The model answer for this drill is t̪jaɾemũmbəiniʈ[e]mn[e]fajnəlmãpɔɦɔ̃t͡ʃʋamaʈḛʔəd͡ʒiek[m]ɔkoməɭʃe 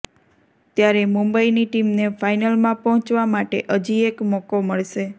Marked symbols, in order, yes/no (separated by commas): no, yes, yes